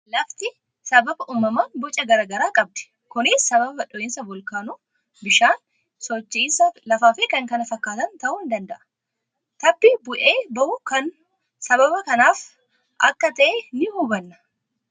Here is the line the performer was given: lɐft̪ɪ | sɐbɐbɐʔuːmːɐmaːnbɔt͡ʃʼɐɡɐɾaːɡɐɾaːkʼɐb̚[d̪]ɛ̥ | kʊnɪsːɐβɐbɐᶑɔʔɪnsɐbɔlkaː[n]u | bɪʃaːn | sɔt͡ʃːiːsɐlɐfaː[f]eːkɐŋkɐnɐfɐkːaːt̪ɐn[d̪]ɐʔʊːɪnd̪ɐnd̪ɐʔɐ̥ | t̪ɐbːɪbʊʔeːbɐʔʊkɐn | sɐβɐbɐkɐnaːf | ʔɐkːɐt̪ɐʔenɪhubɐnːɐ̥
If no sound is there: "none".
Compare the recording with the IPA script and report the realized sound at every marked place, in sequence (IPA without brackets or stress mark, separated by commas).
d̪, n, f, t̪